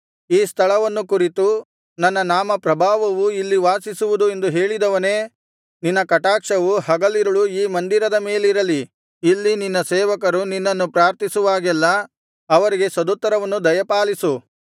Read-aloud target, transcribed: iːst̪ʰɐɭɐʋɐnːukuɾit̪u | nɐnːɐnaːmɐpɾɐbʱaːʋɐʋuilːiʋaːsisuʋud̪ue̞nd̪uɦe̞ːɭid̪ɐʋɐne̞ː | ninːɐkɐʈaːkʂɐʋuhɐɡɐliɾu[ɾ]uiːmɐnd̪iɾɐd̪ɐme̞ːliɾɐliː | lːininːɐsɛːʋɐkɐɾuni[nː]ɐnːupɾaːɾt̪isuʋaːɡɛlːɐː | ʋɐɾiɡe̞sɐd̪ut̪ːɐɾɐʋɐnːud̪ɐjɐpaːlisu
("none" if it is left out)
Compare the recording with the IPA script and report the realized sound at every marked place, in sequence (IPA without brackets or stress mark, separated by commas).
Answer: ɭ, nː